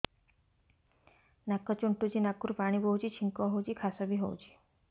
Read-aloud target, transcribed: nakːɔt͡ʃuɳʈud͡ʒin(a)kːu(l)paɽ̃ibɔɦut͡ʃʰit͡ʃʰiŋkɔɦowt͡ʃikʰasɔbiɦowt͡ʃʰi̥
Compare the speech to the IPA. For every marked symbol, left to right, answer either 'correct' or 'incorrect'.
correct, incorrect: ɾ

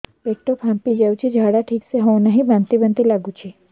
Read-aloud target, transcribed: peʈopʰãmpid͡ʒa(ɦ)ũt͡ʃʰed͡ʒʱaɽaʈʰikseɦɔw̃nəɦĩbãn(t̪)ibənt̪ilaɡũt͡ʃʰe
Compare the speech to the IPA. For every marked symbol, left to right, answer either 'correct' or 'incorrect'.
incorrect: none, correct

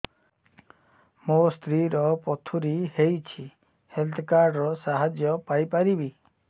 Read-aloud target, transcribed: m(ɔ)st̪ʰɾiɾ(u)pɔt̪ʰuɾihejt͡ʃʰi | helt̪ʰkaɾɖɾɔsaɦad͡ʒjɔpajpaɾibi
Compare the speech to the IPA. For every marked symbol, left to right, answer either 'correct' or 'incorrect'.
incorrect: o, incorrect: ɔ

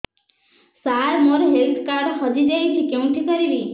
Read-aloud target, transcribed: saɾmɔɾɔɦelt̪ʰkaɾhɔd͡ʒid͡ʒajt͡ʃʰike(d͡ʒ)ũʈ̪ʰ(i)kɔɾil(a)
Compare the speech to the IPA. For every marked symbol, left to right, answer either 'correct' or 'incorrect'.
incorrect: none, correct, incorrect: i

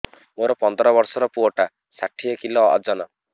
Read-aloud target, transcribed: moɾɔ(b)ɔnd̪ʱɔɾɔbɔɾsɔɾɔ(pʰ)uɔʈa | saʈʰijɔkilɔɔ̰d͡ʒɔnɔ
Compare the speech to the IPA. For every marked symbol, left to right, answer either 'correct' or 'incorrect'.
incorrect: p, incorrect: p

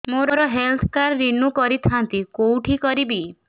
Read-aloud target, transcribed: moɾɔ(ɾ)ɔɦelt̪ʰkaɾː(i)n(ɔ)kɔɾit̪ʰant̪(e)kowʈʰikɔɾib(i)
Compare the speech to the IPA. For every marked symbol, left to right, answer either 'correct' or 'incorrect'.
correct, correct, incorrect: u, incorrect: i, correct

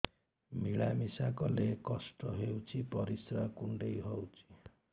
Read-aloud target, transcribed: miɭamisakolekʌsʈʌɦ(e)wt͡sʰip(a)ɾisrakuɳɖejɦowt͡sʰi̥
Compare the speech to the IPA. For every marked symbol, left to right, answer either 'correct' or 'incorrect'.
correct, incorrect: ʌ

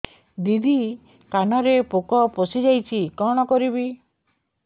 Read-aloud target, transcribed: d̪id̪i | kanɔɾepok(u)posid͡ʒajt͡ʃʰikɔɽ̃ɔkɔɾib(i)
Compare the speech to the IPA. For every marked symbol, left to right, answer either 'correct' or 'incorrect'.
incorrect: ɔ, correct

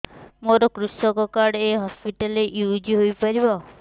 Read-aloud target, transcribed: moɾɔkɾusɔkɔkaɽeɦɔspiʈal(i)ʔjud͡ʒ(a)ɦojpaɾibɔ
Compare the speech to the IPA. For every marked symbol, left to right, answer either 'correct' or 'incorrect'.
incorrect: e, incorrect: i

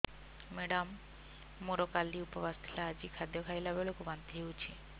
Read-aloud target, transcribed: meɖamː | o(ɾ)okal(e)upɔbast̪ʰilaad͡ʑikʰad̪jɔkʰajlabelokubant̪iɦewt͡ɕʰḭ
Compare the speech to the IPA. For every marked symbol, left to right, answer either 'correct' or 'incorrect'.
correct, incorrect: i

